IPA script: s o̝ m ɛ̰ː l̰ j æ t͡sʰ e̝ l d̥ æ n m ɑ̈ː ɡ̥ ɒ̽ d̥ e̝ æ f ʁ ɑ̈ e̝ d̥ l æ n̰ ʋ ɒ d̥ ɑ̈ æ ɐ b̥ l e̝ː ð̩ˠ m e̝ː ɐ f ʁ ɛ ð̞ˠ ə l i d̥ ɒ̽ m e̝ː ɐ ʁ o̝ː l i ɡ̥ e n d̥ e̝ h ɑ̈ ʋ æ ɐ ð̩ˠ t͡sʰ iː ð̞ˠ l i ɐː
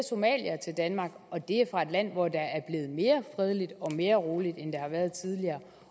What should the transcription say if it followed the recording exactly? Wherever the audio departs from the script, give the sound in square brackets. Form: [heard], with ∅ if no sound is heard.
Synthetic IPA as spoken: s o̝ m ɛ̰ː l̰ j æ t͡sʰ e̝ l d̥ æ n m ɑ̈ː ɡ̥ ɒ̽ d̥ e̝ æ f ʁ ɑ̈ e̝ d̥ l æ n̰ ʋ ɒ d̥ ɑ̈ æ ɐ b̥ l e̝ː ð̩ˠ m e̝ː ɐ f ʁ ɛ ð̞ˠ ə l i d̥ ɒ̽ m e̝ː ɐ ʁ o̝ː l i [d̥] e n d̥ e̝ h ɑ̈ ʋ æ ɐ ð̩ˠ t͡sʰ [i] ð̞ˠ l i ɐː